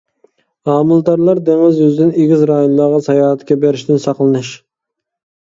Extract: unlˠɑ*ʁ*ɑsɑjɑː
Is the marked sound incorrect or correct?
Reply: correct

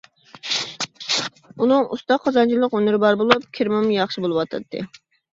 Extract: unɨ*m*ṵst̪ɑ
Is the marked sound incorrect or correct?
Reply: incorrect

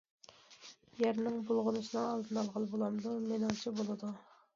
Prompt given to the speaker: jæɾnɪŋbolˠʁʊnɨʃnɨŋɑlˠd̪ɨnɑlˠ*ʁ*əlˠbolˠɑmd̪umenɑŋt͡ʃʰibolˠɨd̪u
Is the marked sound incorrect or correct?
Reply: correct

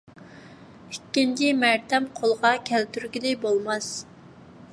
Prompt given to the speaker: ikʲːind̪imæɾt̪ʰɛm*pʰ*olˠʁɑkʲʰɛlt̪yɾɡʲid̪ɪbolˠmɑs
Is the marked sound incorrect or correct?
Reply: incorrect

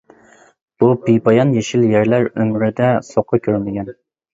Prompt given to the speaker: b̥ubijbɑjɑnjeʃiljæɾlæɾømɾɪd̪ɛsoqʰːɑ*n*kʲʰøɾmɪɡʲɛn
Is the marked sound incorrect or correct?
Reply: incorrect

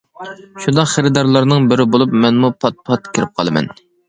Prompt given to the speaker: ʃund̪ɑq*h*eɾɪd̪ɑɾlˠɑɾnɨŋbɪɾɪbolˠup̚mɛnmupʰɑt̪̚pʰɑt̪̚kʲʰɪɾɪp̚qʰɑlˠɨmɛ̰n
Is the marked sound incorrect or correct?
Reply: incorrect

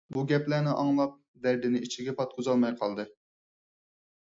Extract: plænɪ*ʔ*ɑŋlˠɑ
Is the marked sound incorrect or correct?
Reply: correct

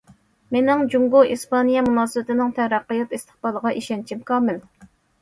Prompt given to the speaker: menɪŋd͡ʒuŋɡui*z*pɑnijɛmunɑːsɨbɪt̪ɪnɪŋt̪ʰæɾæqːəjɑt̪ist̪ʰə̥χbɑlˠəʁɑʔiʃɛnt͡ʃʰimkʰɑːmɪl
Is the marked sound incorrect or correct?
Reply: incorrect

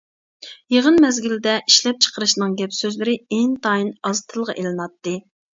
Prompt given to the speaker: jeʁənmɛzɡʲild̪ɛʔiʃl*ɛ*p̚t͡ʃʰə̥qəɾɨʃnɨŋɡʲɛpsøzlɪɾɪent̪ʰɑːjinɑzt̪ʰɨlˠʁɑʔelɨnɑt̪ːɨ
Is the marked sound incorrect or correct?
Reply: correct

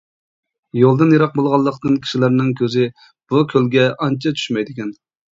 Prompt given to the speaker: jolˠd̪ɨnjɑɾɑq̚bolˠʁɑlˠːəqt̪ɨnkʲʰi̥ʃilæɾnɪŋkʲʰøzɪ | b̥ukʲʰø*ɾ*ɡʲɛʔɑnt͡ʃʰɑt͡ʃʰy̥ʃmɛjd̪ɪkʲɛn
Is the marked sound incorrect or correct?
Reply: incorrect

